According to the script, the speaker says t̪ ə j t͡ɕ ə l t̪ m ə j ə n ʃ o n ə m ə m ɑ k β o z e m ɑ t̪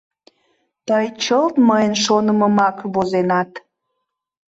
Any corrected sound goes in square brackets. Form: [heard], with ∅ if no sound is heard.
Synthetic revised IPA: t̪ ə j t͡ɕ ə l t̪ m ə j ə n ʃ o n ə m ə m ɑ k β o z e [n] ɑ t̪